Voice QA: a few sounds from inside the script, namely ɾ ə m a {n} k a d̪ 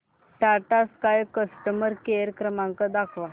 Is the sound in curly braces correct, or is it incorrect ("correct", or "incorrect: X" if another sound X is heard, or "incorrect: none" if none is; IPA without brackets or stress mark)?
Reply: incorrect: ŋ